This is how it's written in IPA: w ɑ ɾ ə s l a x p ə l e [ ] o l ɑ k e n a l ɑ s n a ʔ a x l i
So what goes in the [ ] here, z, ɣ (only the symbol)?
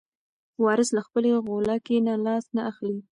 ɣ